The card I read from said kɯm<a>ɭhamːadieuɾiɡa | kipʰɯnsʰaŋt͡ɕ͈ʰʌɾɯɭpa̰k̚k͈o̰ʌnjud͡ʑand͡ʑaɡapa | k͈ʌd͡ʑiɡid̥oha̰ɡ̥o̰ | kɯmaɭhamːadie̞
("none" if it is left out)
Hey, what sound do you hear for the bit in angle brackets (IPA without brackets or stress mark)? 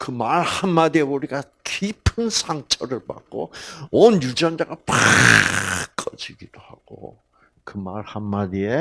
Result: a